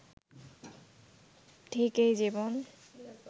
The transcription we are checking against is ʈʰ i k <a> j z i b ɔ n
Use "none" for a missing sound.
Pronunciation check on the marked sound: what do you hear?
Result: e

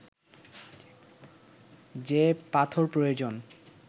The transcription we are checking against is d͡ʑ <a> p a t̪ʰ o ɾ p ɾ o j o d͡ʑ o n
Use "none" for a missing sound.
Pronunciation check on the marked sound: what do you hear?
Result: e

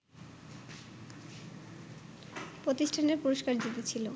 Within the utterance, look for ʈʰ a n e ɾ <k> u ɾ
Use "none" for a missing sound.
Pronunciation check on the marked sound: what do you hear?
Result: p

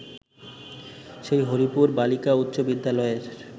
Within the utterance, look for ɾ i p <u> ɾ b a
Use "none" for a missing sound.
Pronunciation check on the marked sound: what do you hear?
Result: u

